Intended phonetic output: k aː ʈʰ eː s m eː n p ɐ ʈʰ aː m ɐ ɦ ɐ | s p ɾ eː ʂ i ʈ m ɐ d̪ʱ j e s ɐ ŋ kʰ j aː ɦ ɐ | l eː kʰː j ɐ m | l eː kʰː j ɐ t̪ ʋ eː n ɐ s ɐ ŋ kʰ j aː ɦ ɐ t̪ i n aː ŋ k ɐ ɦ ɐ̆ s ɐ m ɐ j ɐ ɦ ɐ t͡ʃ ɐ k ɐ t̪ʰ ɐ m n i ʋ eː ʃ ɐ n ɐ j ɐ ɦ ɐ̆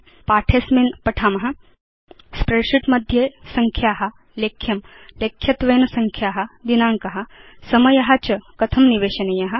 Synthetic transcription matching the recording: p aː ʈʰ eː s m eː n p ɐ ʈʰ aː m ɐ ɦ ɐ | s p ɾ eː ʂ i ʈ m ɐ d̪ʱ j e s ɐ ŋ kʰ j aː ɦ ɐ | l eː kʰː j ɐ m | l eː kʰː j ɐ t̪ ʋ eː n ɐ s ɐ ŋ kʰ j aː ɦ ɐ d̪ i n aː ŋ k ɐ ɦ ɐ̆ s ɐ m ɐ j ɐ ɦ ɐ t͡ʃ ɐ k ɐ t̪ʰ ɐ m n i ʋ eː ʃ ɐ n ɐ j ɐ ɦ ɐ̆

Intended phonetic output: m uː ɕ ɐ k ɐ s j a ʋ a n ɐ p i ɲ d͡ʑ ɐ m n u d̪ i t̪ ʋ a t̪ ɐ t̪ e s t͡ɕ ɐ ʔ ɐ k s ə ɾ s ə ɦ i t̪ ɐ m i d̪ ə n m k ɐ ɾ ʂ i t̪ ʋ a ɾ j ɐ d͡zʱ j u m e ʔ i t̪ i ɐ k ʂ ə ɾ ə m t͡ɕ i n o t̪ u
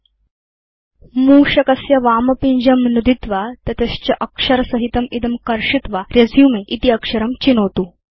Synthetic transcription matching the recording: m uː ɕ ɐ k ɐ s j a ʋ a m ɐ p i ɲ d͡ʑ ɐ m n u d̪ i t̪ ʋ a t̪ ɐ t̪ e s t͡ɕ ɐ ʔ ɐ k ʂ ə ɾ s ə ɦ i t̪ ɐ m i d̪ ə m k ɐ ɾ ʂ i t̪ ʋ a ɾ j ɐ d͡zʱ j u m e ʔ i t̪ i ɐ k ʂ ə ɾ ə m t͡ɕ i n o t̪ u

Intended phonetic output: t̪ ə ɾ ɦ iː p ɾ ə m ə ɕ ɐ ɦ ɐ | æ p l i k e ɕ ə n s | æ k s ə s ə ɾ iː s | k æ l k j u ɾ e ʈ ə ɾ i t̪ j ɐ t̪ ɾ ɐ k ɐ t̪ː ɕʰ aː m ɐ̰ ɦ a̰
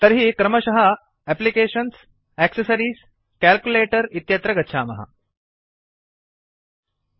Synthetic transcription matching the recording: t̪ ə ɾ ɦ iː k ɾ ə m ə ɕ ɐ ɦ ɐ | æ p l i k e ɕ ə n s | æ k s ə s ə ɾ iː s | k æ l k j u l e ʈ ə ɾ i t̪ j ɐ t̪ ɾ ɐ ɡ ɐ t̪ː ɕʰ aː m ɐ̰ ɦ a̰

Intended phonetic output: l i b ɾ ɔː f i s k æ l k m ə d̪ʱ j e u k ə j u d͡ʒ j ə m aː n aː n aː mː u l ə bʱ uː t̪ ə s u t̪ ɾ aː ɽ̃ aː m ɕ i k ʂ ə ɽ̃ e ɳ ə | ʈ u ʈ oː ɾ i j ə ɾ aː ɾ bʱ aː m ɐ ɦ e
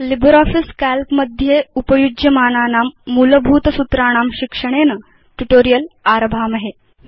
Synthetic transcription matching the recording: l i b ɾ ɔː f i s k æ l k m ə d̪ʱ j e u p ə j u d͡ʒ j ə m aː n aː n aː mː u l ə bʱ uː t̪ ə s u t̪ ɾ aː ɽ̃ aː m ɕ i k ʂ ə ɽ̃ e n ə | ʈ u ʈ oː ɾ i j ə l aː ɾ bʱ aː m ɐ ɦ e

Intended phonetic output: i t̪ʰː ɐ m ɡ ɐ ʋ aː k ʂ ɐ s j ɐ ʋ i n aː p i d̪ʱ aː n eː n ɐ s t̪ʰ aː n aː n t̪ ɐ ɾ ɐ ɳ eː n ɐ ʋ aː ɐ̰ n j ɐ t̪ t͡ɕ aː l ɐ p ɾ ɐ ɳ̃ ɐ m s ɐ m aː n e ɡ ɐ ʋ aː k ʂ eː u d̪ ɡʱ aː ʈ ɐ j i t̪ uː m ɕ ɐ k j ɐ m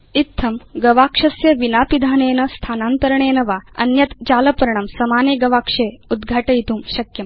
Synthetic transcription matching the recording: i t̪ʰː ɐ m ɡ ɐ ʋ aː k ʂ ɐ s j ɐ ʋ i n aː p i d̪ʱ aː n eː n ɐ s t̪ʰ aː n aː n t̪ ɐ ɾ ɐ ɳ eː n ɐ ʋ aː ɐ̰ n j ɐ t̪ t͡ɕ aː l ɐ p ɾ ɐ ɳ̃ ɐ m s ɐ m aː n e ɡ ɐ ʋ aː k ʂ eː u d̪ ɡʱ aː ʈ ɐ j i t̪ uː m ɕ ɐ k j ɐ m

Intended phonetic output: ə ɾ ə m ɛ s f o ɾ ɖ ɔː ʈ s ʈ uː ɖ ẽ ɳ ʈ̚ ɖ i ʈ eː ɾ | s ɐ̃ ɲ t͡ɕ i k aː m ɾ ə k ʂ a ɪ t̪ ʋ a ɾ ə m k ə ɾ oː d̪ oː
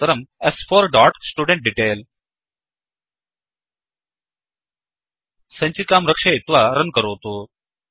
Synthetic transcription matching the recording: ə ɾ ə m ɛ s f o ɾ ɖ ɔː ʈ s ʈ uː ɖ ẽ ɳ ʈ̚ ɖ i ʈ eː l | s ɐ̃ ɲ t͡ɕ i k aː m ɾ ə k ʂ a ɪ t̪ ʋ a ɾ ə n k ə ɾ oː t̪ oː

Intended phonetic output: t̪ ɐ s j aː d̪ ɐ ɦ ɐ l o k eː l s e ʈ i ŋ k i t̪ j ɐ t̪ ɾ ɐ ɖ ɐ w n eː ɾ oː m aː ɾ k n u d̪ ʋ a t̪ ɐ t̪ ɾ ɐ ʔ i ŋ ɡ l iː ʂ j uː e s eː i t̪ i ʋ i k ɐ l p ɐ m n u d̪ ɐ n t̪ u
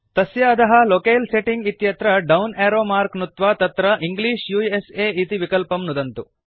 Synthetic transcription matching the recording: t̪ ɐ s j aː d̪ ɐ ɦ ɐ l o k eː l s e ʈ i ŋ ɡ i t̪ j ɐ t̪ ɾ ɐ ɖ ɐ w n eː ɾ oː m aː ɾ k n u t̪ ʋ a t̪ ɐ t̪ ɾ ɐ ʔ i ŋ ɡ l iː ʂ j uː e s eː i t̪ i ʋ i k ɐ l p ɐ m n u d̪ ɐ n t̪ u

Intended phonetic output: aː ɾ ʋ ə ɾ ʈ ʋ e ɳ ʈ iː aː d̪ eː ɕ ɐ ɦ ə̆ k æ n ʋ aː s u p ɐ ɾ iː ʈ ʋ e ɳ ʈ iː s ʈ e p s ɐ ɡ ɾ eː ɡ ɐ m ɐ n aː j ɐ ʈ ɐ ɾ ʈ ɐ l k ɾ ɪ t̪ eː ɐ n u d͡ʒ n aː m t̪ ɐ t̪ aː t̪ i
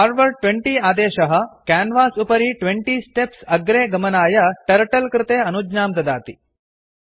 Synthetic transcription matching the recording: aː ɾ ʋ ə ɾ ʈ ʋ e ɳ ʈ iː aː d̪ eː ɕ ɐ ɦ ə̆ k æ n ʋ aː s u p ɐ ɾ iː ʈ ʋ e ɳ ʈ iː s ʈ e p s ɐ ɡ ɾ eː ɡ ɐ m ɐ n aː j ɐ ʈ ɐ ɾ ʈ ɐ l k ɾ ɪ t̪ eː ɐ n u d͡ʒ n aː m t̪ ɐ d̪ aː t̪ i

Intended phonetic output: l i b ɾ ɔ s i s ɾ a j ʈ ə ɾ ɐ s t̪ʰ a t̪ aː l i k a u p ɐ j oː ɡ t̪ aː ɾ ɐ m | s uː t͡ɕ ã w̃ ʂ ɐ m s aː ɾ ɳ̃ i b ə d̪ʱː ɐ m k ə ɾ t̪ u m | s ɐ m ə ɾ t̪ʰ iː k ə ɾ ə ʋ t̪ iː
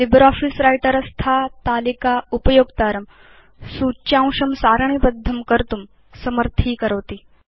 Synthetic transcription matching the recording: l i b ɾ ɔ f i s ɾ a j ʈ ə ɾ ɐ s t̪ʰ a t̪ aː l i k a u p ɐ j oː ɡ t̪ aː ɾ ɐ m | s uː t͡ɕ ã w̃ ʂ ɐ m s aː ɾ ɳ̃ i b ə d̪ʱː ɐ m k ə ɾ t̪ u m | s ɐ m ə ɾ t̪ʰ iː k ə ɾ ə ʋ t̪ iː

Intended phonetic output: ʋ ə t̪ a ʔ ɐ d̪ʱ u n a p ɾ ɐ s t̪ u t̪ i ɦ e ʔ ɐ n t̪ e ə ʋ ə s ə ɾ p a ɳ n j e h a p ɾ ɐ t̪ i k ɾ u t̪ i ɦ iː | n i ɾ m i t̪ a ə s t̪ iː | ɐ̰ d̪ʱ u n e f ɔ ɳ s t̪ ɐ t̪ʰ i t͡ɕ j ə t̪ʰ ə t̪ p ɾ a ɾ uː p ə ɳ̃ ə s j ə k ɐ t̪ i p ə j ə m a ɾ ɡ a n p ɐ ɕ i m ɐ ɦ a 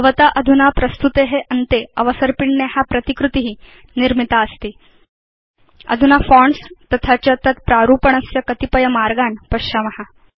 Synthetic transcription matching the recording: ʋ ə t̪ a ʔ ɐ d̪ʱ u n a p ɾ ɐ s t̪ u t̪ e ɦ e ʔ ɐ n t̪ e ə ʋ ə s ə ɾ p i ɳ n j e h a p ɾ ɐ t̪ i k ɾ u t̪ i ɦ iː | n i ɾ m i t̪ a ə s t̪ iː | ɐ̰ d̪ʱ u n a f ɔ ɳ s t̪ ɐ t̪ʰ a t͡ɕ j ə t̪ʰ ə t̪ p ɾ a ɾ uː p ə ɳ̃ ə s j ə k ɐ t̪ i p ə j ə m a ɾ ɡ a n p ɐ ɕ a m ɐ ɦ a

